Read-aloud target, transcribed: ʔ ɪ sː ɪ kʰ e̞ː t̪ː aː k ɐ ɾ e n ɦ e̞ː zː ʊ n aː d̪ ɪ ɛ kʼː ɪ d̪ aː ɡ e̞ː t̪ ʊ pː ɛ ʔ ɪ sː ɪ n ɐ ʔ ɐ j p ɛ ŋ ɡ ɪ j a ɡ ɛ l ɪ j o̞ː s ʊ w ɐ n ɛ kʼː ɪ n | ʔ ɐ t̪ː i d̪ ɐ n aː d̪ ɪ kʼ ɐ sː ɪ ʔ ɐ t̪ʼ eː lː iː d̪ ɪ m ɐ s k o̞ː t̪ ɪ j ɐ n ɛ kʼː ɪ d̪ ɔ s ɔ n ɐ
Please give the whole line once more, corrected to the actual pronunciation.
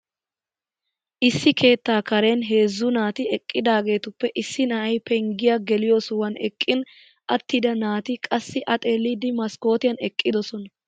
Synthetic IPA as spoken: ʔ ɪ sː ɪ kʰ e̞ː t̪ː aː k ɐ ɾ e n ɦ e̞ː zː ʊ n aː t̪ ɪ ɛ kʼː ɪ d̪ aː ɡ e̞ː t̪ ʊ pː ɛ ʔ ɪ sː ɪ n ɐ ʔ ɐ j p ɛ ŋ ɡ ɪ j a ɡ ɛ l ɪ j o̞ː s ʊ w ɐ n ɛ kʼː ɪ n | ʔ ɐ t̪ː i d̪ ɐ n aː t̪ ɪ kʼ ɐ sː ɪ ʔ ɐ t̪ʼ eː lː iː d̪ ɪ m ɐ s k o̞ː t̪ ɪ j ɐ n ɛ kʼː ɪ d̪ ɔ s ɔ n ɐ

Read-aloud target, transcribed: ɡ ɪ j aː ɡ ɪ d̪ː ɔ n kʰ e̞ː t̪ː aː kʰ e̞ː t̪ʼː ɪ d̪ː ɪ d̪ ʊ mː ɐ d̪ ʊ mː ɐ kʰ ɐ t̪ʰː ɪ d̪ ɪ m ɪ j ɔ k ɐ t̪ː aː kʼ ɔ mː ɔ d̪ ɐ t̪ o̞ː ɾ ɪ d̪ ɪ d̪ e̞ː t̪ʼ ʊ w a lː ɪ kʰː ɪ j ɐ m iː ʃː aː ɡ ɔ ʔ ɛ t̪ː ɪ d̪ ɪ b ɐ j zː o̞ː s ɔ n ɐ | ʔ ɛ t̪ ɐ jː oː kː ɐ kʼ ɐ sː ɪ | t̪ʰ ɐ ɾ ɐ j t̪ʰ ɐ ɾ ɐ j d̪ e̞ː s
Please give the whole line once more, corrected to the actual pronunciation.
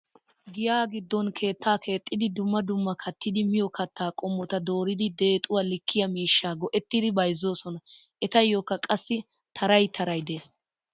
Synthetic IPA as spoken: ɡ ɪ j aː ɡ ɪ d̪ː ɔ n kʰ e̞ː t̪ː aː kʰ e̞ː t̪ʼː ɪ d̪ ɪ d̪ ʊ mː ɐ d̪ ʊ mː ɐ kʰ ɐ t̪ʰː ɪ d̪ ɪ m ɪ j ɔ k ɐ t̪ː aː kʼ ɔ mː ɔ t̪ ɐ d̪ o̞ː ɾ ɪ d̪ ɪ d̪ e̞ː t̪ʼ ʊ w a l ɪ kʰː ɪ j ɐ m iː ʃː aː ɡ ɔ ʔ ɛ t̪ː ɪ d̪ ɪ b ɐ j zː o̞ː s ɔ n ɐ | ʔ ɛ t̪ ɐ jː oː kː ɐ kʼ ɐ sː ɪ | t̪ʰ ɐ ɾ ɐ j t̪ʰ ɐ ɾ ɐ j d̪ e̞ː s

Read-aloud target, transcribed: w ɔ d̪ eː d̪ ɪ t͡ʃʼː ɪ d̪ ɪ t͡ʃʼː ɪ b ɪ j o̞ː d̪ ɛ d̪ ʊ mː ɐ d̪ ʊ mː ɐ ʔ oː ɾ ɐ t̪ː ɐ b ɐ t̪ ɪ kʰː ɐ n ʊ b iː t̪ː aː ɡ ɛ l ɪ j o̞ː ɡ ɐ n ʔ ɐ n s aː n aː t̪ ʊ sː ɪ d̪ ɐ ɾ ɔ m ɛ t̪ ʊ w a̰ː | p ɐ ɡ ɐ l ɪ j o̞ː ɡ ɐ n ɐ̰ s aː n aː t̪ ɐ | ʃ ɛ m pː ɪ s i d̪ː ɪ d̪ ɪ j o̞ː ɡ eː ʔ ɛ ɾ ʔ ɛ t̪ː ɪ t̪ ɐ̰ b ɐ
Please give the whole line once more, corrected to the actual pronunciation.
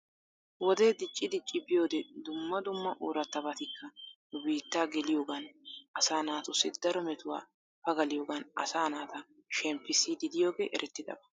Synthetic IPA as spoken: w ɔ d̪ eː d̪ ɪ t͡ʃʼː ɪ d̪ ɪ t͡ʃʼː ɪ b ɪ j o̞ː d̪ ɛ d̪ ʊ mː ɐ d̪ ʊ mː ɐ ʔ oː ɾ ɐ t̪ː ɐ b ɐ t̪ ɪ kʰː ɐ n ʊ b iː t̪ː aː ɡ ɛ l ɪ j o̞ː ɡ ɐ n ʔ ɐ s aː n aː t̪ ʊ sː ɪ d̪ ɐ ɾ ɔ m ɛ t̪ ʊ w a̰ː | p ɐ ɡ ɐ l ɪ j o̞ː ɡ ɐ n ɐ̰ s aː n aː t̪ ɐ | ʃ ɛ m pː ɪ s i d̪ ɪ d̪ ɪ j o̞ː ɡ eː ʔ ɛ ɾ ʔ ɛ t̪ː ɪ d̪ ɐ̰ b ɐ

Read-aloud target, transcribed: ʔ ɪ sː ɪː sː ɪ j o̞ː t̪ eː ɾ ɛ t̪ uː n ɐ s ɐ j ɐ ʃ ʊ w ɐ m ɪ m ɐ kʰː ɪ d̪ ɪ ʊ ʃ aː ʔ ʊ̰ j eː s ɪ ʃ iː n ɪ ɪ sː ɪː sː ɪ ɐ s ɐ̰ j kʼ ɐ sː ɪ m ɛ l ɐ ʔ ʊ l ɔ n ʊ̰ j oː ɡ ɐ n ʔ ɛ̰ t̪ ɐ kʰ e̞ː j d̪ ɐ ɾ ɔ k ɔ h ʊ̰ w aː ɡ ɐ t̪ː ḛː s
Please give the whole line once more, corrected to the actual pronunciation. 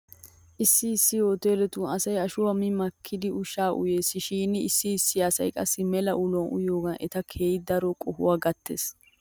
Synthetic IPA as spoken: ʔ ɪ sː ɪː sː ɪ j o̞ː t̪ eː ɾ ɛ t̪ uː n ɐ s ɐ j ɐ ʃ ʊ w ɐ m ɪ m ɐ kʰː ɪ d̪ ɪ ʊ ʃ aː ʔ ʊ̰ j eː s ɪ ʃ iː n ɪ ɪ sː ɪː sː ɪ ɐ s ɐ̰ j kʼ ɐ sː ɪ m ɛ l ɐ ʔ ʊ l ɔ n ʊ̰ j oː ɡ ɐ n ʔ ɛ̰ t̪ ɐ kʰ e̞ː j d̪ ɐ ɾ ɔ kʼ ɔ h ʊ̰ w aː ɡ ɐ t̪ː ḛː s

